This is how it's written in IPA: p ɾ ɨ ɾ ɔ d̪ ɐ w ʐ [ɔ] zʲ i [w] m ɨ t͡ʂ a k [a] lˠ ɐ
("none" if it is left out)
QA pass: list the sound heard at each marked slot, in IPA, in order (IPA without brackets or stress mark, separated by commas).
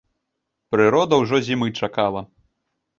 ɔ, none, a